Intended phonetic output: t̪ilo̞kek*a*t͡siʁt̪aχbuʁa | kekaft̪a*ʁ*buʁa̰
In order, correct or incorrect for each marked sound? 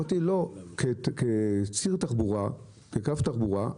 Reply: incorrect, incorrect

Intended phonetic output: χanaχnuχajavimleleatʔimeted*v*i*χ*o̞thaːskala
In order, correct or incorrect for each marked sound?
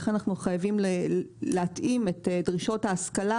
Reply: incorrect, incorrect

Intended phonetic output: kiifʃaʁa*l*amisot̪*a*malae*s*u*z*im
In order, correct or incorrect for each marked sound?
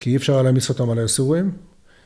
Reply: correct, correct, correct, incorrect

